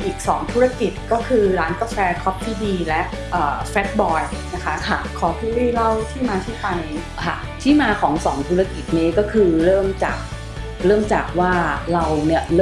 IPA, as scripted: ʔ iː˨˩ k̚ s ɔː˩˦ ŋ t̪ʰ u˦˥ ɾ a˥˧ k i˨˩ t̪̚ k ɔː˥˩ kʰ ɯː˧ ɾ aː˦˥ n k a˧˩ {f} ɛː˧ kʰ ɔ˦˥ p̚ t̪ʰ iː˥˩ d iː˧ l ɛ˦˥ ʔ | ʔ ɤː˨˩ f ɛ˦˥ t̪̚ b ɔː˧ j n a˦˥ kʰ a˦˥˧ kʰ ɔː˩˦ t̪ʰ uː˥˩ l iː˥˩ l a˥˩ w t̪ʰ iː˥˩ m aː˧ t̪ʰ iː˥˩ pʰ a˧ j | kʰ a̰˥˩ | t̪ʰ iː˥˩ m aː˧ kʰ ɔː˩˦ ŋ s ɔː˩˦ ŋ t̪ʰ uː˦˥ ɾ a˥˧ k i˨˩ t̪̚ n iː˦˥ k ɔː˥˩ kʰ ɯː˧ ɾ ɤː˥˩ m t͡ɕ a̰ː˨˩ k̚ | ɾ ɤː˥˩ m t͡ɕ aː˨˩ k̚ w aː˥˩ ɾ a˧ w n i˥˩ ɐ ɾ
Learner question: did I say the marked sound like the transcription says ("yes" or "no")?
yes